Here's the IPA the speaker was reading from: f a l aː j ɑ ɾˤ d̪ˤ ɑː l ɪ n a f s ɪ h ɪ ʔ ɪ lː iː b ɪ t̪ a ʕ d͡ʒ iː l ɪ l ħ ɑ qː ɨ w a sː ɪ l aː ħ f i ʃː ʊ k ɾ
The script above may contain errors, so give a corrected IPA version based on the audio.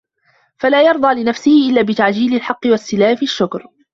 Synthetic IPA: f a l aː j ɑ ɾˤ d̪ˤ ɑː l ɪ n a f s ɪ h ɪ ʔ ɪ lː aː b ɪ t̪ a ʕ d͡ʒ iː l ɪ l ħ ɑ qː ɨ w a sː ɪ l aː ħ f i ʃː ʊ k ɾ

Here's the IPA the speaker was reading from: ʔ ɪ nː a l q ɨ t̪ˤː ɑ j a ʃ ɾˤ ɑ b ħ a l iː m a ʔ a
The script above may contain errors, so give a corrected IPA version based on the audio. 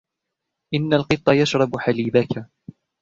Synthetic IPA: ʔ ɪ nː a l q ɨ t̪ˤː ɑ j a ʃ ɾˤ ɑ b ħ a l iː b a k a

